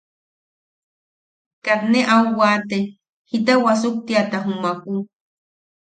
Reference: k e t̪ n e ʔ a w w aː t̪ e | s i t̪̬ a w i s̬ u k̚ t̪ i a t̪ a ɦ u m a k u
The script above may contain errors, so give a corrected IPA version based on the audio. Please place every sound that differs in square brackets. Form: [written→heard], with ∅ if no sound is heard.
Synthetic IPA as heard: k [e→a] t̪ n e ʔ a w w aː t̪ e | [s→h] i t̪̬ a w [i→a] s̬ u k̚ t̪ i a t̪ a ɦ u m a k u